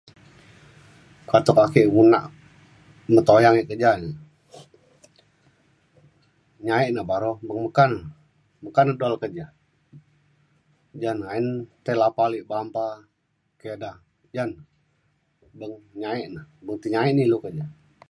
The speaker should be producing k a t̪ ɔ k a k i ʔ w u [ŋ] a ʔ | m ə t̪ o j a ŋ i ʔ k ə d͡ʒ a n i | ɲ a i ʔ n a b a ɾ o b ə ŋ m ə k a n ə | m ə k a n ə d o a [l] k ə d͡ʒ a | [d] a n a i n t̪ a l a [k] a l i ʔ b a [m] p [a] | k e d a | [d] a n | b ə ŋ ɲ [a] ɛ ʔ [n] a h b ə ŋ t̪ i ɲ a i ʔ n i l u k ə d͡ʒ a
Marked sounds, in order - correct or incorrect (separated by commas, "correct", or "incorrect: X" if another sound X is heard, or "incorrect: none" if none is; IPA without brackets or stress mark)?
incorrect: n, correct, incorrect: d͡ʒ, incorrect: p, correct, correct, incorrect: d͡ʒ, correct, correct